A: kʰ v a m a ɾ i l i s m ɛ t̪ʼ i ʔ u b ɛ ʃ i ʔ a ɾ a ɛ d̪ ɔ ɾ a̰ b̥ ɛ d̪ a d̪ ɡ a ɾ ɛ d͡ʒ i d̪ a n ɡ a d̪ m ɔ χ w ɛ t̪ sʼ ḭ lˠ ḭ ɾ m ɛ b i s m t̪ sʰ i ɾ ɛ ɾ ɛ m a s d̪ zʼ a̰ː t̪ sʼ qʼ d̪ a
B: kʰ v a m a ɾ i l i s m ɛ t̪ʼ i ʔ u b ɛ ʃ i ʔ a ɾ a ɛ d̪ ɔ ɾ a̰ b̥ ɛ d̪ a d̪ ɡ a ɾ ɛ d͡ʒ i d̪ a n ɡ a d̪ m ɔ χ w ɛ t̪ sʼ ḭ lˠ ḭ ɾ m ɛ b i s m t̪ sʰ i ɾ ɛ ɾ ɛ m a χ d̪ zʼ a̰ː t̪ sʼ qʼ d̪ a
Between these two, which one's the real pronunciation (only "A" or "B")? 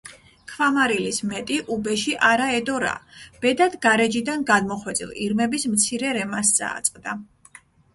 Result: A